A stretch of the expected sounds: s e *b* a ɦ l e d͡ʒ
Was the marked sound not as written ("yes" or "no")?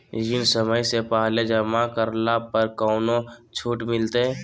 yes